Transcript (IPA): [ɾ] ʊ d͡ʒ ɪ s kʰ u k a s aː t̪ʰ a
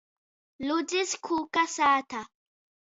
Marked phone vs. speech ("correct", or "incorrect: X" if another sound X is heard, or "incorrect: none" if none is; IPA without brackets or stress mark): incorrect: l